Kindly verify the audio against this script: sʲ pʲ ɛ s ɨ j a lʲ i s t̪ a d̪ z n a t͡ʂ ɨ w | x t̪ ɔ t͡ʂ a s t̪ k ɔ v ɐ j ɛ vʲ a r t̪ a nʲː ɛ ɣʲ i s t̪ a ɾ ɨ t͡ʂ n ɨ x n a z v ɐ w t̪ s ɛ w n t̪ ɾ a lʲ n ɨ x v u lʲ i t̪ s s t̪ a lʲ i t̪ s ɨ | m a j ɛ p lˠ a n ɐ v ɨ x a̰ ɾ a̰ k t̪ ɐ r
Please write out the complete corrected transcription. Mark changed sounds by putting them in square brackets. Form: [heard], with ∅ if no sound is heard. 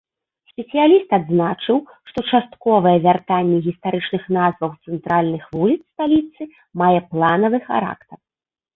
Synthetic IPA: sʲ pʲ ɛ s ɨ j a lʲ i s t̪ a d̪ z n a t͡ʂ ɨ w | [ʂ] t̪ ɔ t͡ʂ a s t̪ k ɔ v ɐ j ɛ vʲ a r t̪ a nʲː ɛ ɣʲ i s t̪ a ɾ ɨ t͡ʂ n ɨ x n a z v ɐ w t̪ s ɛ [∅] n t̪ ɾ a lʲ n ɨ x v u lʲ i t̪ s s t̪ a lʲ i t̪ s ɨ | m a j ɛ p lˠ a n ɐ v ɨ x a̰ ɾ a̰ k t̪ ɐ r